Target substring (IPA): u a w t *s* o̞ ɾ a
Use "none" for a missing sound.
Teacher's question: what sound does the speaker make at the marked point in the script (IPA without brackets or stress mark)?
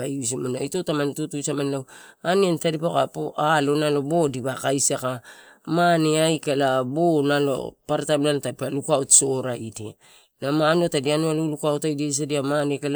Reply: s